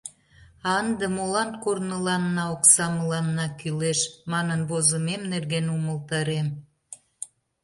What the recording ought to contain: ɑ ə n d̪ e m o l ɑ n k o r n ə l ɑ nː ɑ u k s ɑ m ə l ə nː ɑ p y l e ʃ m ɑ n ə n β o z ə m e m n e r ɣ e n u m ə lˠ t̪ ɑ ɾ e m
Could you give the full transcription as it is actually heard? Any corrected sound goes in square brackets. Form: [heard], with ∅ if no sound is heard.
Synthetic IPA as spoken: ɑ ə n d̪ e m o l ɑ n k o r n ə l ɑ nː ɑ [o] k s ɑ m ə l [ɑ] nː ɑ [k] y l e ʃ m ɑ n ə n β o z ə m e m n e r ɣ e n u m ə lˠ t̪ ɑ ɾ e m